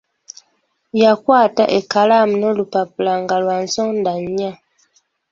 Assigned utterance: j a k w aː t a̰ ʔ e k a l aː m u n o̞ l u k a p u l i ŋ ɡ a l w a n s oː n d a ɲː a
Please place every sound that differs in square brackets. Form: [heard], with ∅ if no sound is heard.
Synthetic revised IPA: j a k w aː t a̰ ʔ e k a l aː m u n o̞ l u [p] a p u l [a] ŋ ɡ a l w a n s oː n d a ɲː a